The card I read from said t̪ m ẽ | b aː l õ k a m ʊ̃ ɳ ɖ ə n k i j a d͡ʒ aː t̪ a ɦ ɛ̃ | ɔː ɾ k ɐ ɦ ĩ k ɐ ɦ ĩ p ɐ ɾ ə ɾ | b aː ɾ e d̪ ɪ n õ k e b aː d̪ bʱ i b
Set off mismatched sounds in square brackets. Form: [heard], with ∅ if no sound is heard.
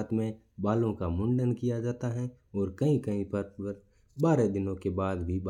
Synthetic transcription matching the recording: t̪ m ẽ | b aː l õ k a m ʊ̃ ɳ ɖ ə n k i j a d͡ʒ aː t̪ a ɦ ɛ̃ | ɔː ɾ k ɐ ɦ ĩ k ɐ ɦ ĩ p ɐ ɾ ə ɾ | b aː ɾ e d̪ ɪ n õ k e b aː d̪ bʱ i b